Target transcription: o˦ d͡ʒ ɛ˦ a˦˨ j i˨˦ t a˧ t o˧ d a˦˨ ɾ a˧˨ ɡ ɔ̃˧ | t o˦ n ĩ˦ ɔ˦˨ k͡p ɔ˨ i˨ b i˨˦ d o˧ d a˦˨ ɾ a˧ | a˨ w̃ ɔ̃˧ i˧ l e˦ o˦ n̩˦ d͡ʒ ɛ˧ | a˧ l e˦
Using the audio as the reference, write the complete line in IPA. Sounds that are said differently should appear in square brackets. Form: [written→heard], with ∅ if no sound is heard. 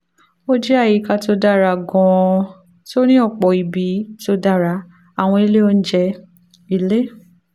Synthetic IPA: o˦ d͡ʒ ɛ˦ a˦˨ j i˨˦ [t→k] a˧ t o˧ d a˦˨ ɾ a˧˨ ɡ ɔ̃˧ | t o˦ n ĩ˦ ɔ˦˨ k͡p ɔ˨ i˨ b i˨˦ [d→t] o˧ d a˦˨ ɾ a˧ | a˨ w̃ ɔ̃˧ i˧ l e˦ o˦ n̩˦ d͡ʒ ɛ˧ | [a˧→i˧] l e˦